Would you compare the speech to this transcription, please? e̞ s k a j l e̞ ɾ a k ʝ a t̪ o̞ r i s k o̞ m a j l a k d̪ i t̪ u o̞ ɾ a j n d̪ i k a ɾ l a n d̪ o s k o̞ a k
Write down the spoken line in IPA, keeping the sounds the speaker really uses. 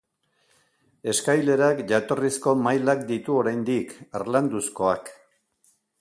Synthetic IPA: e̞ s k a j l e̞ ɾ a k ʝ a t̪ o̞ r i s k o̞ m a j l a k d̪ i t̪ u o̞ ɾ a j n d̪ i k a ɾ l a n d̪ u s k o̞ a k